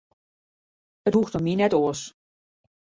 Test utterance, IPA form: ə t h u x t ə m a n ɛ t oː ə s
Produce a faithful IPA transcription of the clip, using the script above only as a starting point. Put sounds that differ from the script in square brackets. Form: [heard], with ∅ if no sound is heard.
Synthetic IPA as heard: ə t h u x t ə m [i] n ɛ t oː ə s